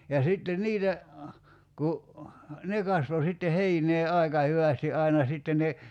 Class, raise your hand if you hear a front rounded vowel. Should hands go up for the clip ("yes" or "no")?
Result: yes